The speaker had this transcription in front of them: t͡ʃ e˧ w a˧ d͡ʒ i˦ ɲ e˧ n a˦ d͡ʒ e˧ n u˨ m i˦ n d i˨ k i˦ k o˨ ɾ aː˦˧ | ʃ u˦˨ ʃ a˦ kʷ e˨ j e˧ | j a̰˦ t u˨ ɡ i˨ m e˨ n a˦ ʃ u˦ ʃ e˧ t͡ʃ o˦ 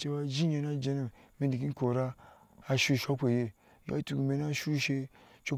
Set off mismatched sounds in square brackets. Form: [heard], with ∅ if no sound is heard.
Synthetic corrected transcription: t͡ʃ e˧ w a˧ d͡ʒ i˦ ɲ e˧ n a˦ d͡ʒ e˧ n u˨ m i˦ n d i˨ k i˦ k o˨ ɾ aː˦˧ | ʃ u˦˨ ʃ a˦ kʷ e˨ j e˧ | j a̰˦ t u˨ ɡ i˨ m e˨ n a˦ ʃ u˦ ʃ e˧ t͡ʃ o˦

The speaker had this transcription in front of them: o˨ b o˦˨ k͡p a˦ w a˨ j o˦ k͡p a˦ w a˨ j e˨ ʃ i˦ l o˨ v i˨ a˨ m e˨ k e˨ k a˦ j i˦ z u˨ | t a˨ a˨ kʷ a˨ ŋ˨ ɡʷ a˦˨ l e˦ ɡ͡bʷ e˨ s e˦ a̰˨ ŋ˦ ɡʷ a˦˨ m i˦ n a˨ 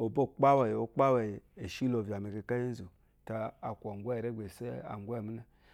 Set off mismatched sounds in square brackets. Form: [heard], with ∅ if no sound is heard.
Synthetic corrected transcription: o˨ b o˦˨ k͡p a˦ w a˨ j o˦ k͡p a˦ w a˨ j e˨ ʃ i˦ l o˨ v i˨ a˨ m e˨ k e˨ k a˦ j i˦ z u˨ | t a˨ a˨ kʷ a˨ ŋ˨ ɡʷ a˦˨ [ɾ] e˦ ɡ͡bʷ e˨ s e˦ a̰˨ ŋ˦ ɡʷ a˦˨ m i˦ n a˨

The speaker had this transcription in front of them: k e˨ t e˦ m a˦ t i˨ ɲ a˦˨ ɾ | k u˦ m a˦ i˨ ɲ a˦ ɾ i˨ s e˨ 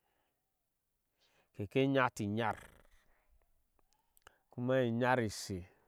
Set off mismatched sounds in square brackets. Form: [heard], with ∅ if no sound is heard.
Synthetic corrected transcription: k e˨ [k] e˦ [ɲ] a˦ t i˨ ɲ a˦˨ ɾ | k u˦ m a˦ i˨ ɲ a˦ ɾ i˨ s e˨

